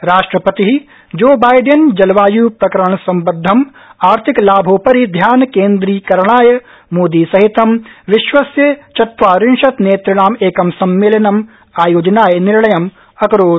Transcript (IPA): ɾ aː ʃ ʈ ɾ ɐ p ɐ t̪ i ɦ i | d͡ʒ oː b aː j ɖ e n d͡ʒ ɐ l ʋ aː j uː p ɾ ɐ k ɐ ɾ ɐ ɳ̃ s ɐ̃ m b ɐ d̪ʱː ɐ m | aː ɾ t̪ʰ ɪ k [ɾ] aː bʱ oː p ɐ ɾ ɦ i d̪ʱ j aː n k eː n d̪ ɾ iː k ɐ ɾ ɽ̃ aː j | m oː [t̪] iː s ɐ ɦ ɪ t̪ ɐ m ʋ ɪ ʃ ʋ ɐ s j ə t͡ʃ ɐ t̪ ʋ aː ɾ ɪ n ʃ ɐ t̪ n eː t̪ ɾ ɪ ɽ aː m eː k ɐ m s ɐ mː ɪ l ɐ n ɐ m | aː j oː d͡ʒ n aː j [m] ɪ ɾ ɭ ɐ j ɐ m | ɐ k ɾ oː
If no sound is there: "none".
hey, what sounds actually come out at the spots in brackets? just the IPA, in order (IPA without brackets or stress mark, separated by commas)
l, d̪, n